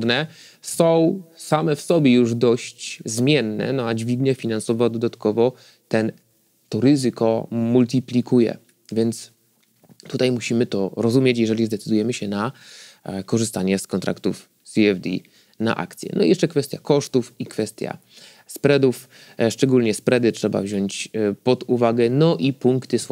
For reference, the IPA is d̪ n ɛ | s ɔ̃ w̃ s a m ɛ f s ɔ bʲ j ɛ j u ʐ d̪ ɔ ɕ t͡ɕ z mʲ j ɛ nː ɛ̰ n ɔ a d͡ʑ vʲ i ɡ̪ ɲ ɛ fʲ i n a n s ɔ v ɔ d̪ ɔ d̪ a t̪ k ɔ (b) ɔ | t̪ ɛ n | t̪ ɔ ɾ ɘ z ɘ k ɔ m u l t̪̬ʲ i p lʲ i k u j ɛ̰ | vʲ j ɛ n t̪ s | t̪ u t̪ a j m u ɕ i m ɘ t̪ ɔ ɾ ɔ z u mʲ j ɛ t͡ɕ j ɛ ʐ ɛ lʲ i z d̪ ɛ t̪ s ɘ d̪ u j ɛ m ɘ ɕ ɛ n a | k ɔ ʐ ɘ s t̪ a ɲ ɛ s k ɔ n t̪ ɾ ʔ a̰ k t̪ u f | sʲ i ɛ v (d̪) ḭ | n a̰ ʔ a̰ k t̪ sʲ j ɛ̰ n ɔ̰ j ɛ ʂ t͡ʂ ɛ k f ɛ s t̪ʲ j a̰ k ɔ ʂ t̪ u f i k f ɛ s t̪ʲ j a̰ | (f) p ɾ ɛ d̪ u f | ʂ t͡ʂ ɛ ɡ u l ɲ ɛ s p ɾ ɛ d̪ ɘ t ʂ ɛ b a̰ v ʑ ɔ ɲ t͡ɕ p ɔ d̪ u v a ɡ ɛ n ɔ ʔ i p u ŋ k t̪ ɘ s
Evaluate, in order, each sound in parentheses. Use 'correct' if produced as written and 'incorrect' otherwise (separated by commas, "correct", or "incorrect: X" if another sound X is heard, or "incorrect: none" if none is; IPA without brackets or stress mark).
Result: incorrect: v, correct, incorrect: s